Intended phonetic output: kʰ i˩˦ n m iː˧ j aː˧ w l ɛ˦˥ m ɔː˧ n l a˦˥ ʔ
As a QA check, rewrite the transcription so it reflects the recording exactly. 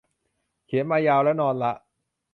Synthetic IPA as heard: kʰ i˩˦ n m aː˧ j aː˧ w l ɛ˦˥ n ɔː˧ n l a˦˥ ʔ